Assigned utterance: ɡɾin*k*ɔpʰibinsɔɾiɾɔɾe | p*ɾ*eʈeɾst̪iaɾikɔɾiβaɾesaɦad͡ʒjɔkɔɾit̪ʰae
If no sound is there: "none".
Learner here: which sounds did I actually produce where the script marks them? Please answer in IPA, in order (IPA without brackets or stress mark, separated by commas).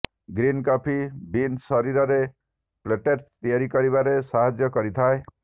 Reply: k, l